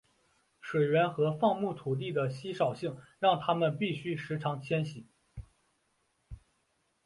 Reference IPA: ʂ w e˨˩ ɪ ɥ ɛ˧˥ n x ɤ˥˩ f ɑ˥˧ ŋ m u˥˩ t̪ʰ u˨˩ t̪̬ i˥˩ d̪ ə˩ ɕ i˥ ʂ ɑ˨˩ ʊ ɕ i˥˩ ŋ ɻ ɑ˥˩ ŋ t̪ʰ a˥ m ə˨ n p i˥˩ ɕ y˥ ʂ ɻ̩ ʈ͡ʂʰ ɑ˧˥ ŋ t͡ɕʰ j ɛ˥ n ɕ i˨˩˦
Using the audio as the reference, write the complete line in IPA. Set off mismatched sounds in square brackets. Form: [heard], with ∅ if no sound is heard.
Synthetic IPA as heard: ʂ w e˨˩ ɪ ɥ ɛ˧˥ n x [ɤ˧˥] f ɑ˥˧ ŋ m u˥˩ t̪ʰ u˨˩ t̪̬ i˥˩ d̪ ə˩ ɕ i˥ ʂ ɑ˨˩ ʊ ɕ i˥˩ ŋ ɻ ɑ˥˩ ŋ t̪ʰ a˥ m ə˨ n p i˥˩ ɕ y˥ ʂ ɻ̩ ʈ͡ʂʰ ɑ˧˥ ŋ t͡ɕʰ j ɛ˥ n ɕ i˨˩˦

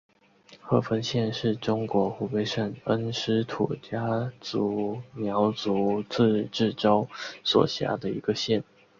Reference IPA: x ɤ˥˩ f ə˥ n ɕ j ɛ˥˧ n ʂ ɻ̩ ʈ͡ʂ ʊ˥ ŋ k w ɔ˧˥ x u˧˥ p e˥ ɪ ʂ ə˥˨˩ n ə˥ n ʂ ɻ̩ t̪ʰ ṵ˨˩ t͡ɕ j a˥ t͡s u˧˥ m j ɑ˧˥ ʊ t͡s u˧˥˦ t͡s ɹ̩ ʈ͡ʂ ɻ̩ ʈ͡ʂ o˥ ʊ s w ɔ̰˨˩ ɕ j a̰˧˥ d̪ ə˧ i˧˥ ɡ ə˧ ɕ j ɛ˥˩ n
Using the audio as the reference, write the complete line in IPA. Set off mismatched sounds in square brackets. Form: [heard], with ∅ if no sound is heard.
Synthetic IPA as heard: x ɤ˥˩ f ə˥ n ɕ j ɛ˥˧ n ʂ ɻ̩ ʈ͡ʂ ʊ˥ ŋ k w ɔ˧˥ x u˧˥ p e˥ ɪ ʂ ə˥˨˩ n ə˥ n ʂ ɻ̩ t̪ʰ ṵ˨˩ t͡ɕ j a˥ t͡s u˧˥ m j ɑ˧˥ ʊ t͡s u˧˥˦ t͡s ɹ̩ ʈ͡ʂ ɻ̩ ʈ͡ʂ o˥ ʊ s w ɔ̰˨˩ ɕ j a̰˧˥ d̪ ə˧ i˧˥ ɡ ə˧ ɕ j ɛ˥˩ n

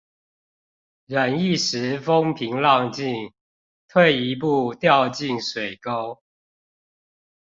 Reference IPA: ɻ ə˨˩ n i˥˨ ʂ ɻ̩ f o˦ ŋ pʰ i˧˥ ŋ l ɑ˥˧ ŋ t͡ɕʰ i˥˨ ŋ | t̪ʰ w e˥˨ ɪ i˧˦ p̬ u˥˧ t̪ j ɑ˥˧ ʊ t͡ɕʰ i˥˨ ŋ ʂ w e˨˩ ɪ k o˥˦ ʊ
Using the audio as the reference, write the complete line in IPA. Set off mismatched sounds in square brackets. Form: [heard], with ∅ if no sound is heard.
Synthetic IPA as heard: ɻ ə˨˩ n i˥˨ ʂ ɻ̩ f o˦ ŋ pʰ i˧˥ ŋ l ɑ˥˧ ŋ [t͡ɕ] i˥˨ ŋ | t̪ʰ w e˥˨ ɪ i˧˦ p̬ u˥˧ t̪ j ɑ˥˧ ʊ [t͡ɕ] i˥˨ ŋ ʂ w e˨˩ ɪ k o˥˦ ʊ

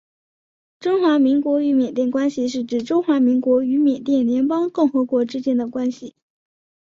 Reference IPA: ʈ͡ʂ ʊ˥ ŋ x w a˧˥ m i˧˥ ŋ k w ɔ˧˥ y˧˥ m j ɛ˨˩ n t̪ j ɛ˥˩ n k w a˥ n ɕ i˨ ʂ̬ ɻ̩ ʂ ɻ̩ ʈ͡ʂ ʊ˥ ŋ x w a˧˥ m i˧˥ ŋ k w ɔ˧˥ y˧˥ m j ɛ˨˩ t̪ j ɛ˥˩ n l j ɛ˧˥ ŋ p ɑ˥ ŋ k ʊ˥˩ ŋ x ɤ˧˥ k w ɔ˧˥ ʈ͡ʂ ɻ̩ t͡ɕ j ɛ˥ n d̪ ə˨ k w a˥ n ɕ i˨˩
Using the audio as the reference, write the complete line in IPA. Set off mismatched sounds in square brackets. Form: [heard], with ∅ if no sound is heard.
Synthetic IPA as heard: ʈ͡ʂ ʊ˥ ŋ x w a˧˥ m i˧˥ ŋ k w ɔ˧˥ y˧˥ m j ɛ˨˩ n t̪ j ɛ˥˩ n k w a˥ n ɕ i˨ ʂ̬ ɻ̩ [ʈ͡ʂ] ɻ̩ ʈ͡ʂ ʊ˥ ŋ x w a˧˥ m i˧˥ ŋ k w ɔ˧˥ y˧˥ m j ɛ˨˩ t̪ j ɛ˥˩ n l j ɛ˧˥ [n] p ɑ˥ ŋ k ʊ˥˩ ŋ x ɤ˧˥ k w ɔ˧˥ ʈ͡ʂ ɻ̩ t͡ɕ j ɛ˥ n d̪ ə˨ k w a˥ n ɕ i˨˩

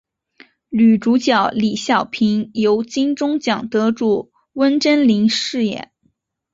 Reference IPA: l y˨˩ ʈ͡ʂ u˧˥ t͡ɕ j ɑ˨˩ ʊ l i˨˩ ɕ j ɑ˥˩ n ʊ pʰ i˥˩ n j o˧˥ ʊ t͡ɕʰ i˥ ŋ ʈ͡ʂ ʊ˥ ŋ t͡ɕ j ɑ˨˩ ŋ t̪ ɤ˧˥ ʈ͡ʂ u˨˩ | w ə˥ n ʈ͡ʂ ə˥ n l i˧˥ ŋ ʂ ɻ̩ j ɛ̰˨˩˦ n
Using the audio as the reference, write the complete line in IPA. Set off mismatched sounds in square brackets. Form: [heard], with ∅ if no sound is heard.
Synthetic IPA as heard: l y˨˩ ʈ͡ʂ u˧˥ t͡ɕ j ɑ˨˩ ʊ l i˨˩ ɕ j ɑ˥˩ [∅] ʊ pʰ [i˧˥] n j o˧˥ ʊ [t͡ɕ] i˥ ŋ ʈ͡ʂ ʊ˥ ŋ t͡ɕ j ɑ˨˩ ŋ t̪ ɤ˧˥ ʈ͡ʂ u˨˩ | w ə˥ n ʈ͡ʂ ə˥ n l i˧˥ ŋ ʂ ɻ̩ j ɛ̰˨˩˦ n

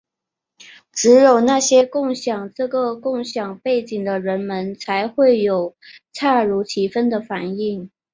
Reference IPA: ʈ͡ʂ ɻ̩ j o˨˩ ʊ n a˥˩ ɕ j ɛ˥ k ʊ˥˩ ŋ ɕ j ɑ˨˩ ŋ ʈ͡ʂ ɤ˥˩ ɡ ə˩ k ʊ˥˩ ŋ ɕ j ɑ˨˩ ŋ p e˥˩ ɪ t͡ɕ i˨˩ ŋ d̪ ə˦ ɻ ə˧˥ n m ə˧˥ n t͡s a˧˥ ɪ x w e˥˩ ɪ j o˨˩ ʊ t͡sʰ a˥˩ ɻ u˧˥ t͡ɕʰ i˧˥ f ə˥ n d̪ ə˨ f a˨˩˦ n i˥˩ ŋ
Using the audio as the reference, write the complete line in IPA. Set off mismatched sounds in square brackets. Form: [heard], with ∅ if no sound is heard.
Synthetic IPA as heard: ʈ͡ʂ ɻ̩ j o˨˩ ʊ n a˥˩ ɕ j ɛ˥ k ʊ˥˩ ŋ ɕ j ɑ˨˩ ŋ ʈ͡ʂ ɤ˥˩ ɡ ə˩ k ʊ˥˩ ŋ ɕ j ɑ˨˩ ŋ p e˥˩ ɪ t͡ɕ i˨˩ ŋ d̪ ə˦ ɻ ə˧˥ n m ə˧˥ n [t͡sʰ] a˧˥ ɪ x w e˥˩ ɪ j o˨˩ ʊ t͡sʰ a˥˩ ɻ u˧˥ t͡ɕʰ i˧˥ f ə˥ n d̪ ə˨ f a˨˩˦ n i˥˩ ŋ

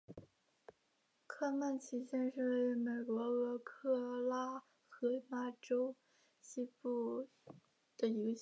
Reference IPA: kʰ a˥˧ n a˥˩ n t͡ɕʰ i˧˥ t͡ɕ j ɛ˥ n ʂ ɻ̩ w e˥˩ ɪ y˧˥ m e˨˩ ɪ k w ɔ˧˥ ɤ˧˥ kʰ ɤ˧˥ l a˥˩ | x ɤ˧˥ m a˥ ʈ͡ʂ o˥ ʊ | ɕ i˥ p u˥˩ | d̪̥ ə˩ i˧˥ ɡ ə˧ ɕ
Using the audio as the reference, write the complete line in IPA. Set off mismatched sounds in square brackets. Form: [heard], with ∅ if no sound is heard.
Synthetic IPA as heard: kʰ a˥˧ [m] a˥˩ n t͡ɕʰ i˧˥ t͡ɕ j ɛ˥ n ʂ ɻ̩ w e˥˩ ɪ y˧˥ m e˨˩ ɪ k w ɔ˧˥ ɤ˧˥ kʰ [ɤ˥˧] l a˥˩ | x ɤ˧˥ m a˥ ʈ͡ʂ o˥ ʊ | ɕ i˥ p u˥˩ | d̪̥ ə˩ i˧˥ ɡ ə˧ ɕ

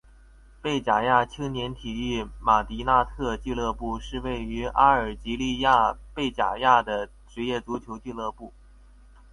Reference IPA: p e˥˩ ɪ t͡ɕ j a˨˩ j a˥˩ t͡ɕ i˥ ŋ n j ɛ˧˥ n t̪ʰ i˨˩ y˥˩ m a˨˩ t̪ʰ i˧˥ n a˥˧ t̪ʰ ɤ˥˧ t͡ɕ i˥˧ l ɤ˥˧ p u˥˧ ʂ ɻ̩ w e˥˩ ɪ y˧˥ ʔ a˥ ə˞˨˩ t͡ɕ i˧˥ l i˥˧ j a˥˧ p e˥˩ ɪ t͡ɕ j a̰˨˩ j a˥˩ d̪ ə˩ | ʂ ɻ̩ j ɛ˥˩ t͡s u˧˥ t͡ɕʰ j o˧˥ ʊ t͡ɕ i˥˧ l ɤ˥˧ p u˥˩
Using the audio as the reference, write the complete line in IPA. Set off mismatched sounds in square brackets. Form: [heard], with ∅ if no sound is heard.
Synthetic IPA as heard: p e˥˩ ɪ t͡ɕ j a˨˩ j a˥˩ [t͡ɕʰ] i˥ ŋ n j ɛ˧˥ n t̪ʰ i˨˩ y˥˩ m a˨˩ [t̪] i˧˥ n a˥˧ t̪ʰ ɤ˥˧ t͡ɕ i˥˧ l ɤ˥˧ p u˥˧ ʂ ɻ̩ w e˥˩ ɪ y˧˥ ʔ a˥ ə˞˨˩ t͡ɕ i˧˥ l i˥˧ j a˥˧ p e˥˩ ɪ t͡ɕ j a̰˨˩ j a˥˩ d̪ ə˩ | [ʈ͡ʂ] ɻ̩ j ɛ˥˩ t͡s u˧˥ t͡ɕʰ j o˧˥ ʊ t͡ɕ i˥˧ l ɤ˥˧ p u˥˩

